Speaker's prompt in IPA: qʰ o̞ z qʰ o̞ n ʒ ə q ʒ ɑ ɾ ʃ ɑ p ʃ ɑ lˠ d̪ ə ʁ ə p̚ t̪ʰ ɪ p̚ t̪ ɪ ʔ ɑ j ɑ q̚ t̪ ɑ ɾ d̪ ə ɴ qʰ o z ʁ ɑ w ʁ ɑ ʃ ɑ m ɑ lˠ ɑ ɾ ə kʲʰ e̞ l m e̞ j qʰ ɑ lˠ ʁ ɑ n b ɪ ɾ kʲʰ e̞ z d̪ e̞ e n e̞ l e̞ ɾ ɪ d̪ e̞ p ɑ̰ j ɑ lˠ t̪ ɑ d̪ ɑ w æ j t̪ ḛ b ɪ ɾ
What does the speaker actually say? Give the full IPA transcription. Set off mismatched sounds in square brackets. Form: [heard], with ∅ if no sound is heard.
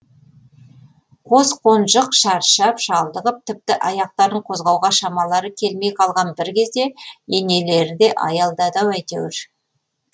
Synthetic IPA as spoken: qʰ o̞ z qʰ o̞ n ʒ ə q [ʃ] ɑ ɾ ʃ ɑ p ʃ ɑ lˠ d̪ ə ʁ ə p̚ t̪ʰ ɪ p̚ t̪ ɪ ʔ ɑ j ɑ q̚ t̪ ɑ ɾ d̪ ə ɴ qʰ o z ʁ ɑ w ʁ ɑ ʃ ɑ m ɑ lˠ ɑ ɾ ə kʲʰ e̞ l m e̞ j qʰ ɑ lˠ ʁ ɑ n b ɪ ɾ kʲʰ e̞ z d̪ e̞ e n e̞ l e̞ ɾ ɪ d̪ e̞ [ʔ] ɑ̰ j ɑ lˠ [d̪] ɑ d̪ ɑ w æ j t̪ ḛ [w] ɪ ɾ

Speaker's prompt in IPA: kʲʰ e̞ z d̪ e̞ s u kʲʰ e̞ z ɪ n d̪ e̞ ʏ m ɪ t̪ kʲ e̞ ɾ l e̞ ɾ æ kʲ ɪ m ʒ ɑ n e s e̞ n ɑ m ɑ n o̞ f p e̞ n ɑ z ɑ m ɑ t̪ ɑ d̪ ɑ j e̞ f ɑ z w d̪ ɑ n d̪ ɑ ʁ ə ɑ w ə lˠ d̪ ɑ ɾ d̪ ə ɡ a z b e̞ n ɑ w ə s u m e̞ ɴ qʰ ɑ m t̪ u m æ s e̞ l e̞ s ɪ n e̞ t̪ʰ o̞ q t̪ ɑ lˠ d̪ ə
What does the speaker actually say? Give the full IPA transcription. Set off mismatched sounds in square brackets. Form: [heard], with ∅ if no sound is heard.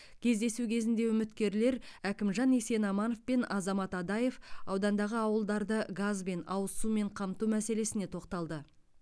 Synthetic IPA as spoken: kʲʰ e̞ z d̪ e̞ s u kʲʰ e̞ z ɪ n d̪ e̞ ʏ m ɪ t̪ kʲ e̞ ɾ l e̞ ɾ æ kʲ ɪ m ʒ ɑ n e s e̞ n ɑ m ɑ n o̞ f p e̞ n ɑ z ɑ m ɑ t̪ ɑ d̪ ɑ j e̞ f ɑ [∅] w d̪ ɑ n d̪ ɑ ʁ ə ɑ w ə lˠ d̪ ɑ ɾ d̪ ə ɡ a z b e̞ n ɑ w ə s u m e̞ ɴ qʰ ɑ m t̪ u m æ s e̞ l e̞ s ɪ n e̞ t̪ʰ o̞ q t̪ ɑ lˠ d̪ ə

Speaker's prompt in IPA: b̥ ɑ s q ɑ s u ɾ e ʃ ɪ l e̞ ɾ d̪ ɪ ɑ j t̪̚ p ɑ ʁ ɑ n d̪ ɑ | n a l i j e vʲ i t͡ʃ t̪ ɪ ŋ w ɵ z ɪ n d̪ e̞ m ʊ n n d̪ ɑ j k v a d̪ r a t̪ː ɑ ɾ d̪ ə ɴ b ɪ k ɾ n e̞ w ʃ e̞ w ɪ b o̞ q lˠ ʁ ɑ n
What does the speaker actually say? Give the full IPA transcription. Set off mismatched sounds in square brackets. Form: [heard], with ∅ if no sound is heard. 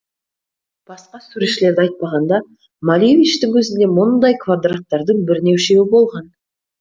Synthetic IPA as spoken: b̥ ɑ s q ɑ s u ɾ e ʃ ɪ l e̞ ɾ d̪ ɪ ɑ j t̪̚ p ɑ ʁ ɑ n d̪ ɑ | [m] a l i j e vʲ i t͡ʃ t̪ ɪ ŋ w ɵ z ɪ n d̪ e̞ m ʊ n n d̪ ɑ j k v a d̪ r a t̪ː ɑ ɾ d̪ ə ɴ b ɪ [∅] ɾ n e̞ w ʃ e̞ w ɪ b o̞ [∅] lˠ ʁ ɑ n

